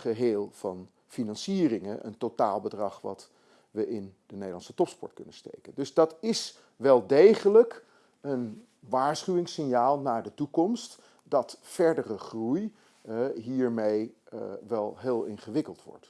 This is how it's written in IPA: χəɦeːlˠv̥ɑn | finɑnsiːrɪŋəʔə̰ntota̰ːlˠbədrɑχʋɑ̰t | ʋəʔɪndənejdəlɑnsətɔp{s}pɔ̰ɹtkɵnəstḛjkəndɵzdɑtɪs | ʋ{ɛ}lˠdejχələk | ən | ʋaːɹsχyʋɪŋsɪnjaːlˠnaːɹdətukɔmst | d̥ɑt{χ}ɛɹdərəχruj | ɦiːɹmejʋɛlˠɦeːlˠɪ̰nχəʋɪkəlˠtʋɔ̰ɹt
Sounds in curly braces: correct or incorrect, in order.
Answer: correct, correct, incorrect: f

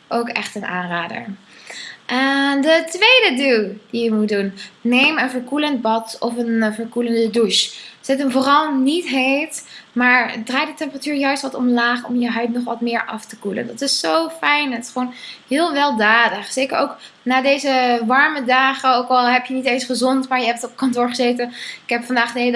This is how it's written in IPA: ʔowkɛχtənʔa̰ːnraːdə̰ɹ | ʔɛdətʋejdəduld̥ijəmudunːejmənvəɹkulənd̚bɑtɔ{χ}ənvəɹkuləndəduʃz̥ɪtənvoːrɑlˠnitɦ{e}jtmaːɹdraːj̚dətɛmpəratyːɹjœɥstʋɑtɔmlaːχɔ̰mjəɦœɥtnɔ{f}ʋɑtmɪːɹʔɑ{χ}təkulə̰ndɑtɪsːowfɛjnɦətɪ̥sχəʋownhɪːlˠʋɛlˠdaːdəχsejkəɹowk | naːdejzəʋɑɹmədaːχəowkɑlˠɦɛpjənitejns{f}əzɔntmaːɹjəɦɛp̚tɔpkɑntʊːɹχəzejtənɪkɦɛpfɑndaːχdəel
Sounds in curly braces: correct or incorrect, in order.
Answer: incorrect: f, correct, incorrect: χ, incorrect: f, incorrect: χ

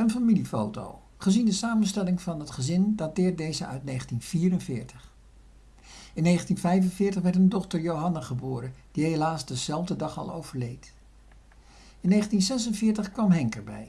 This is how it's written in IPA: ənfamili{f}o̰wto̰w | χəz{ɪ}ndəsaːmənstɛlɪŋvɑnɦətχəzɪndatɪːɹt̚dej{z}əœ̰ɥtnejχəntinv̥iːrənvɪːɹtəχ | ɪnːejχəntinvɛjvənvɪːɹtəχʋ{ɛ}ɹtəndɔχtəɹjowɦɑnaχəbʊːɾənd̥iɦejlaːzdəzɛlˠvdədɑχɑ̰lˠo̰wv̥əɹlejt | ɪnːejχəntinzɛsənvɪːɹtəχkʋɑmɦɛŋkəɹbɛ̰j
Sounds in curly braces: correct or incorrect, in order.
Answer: correct, incorrect: i, correct, correct

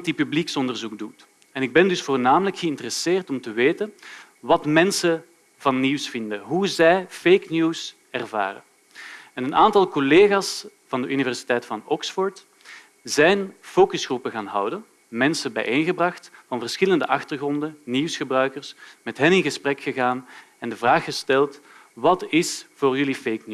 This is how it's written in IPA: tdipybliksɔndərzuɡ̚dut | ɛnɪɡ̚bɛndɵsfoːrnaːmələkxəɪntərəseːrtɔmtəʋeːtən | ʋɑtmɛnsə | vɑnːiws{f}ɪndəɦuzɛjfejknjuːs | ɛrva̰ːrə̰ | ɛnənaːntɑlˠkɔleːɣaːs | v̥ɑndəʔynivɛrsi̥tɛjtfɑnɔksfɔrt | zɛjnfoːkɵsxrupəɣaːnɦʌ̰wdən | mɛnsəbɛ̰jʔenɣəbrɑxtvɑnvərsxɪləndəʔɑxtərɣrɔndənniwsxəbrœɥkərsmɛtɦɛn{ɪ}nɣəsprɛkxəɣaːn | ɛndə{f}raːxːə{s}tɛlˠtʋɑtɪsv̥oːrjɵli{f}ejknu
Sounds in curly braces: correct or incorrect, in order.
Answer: correct, correct, incorrect: v, correct, correct

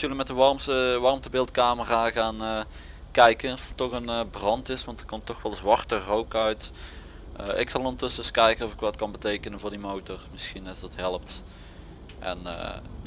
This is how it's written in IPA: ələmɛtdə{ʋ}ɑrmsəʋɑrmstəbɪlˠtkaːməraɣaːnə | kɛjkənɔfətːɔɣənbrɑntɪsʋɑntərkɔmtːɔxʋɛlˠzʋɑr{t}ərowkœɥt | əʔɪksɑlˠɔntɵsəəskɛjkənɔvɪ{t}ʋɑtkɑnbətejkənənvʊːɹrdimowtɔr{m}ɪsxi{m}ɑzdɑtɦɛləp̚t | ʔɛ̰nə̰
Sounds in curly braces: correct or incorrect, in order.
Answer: correct, correct, incorrect: k, correct, incorrect: n

